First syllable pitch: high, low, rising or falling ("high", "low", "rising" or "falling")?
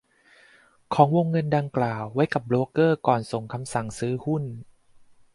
rising